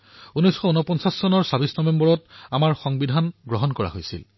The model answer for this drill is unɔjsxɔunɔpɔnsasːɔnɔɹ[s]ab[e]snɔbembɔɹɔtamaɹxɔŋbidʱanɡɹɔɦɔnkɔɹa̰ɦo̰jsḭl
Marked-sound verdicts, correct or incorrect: correct, incorrect: i

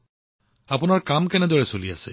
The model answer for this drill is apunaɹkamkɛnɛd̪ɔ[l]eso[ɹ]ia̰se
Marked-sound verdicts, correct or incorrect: incorrect: ɹ, incorrect: l

